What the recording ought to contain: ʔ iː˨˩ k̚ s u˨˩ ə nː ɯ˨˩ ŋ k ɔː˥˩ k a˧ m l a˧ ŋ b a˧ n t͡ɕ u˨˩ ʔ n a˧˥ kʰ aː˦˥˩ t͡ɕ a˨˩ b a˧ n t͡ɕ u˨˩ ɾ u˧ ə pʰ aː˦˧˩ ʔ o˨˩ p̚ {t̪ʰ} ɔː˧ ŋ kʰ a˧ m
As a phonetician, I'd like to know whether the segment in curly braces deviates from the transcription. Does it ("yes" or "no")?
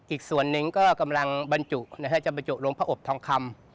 no